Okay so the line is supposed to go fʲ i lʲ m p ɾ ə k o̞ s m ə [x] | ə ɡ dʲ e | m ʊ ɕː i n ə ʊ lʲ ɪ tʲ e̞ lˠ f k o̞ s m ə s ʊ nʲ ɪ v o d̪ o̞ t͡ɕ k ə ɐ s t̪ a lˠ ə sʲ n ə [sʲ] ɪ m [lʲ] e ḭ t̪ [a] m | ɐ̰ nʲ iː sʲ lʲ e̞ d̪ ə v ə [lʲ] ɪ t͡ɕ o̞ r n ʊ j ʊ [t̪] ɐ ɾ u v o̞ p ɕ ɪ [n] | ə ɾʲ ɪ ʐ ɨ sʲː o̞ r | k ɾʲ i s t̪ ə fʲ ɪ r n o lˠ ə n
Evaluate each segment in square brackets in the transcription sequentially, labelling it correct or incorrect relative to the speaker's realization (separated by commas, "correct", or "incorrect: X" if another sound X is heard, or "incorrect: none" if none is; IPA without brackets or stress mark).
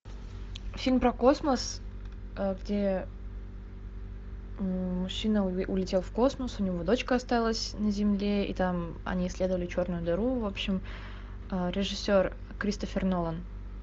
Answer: incorrect: s, incorrect: zʲ, correct, correct, correct, incorrect: d̪, incorrect: m